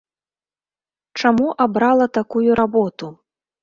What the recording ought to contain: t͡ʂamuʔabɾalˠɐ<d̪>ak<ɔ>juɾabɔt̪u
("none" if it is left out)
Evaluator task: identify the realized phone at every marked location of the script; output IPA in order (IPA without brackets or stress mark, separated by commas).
t̪, u